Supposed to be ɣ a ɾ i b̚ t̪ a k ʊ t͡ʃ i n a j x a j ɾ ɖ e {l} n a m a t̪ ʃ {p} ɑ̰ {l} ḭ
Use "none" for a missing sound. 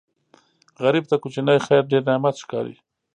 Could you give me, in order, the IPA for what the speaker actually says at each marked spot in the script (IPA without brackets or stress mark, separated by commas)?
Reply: ɾ, k, ɾ